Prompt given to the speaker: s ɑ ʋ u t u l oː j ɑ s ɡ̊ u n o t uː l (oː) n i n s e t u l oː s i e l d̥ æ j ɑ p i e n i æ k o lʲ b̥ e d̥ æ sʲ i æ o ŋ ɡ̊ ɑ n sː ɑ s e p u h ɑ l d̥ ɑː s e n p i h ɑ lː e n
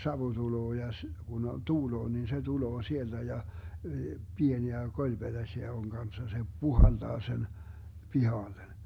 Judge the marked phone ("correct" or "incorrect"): correct